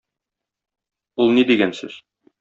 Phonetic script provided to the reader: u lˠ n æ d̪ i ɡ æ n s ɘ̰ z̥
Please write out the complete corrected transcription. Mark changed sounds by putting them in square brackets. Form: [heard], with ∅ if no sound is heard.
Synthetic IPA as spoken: u lˠ n [i] d̪ i ɡ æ n s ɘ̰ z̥